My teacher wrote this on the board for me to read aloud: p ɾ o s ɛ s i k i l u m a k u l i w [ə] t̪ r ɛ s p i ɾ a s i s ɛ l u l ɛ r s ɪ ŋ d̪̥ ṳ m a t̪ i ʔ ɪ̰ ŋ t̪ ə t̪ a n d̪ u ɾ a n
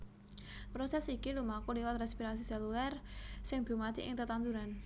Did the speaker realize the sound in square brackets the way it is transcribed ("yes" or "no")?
no